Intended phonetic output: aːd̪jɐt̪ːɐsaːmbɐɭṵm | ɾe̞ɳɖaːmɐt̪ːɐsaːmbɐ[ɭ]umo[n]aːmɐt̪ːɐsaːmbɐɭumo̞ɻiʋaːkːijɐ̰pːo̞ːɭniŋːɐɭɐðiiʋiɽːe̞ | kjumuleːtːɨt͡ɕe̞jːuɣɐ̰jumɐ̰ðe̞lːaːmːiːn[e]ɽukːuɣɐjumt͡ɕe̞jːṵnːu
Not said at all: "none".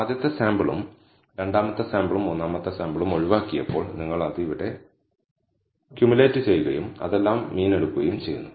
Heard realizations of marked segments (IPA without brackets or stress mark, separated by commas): ɭ, nː, e